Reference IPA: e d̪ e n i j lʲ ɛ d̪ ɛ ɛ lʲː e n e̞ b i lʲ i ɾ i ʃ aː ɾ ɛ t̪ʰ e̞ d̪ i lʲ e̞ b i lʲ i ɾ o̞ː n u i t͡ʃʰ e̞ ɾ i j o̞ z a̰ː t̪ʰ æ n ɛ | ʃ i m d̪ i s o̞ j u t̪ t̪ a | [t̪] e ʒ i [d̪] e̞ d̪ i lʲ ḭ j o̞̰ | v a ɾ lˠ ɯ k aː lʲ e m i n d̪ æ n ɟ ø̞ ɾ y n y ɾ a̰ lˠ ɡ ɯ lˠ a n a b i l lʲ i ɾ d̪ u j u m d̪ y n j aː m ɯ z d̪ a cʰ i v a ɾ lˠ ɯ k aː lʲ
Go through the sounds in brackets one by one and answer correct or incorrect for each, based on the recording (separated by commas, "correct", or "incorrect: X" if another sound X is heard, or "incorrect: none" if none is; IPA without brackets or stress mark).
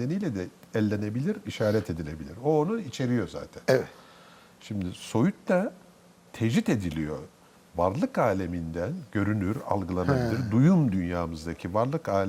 incorrect: t̪ʰ, incorrect: t̪